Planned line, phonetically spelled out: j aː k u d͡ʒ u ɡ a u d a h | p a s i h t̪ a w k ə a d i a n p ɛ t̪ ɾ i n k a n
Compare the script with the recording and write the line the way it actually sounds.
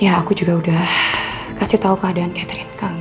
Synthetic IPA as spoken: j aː k u d͡ʒ u ɡ a u d a h | k a s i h t̪ a u k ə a d a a n k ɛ t̪ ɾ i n k a ŋ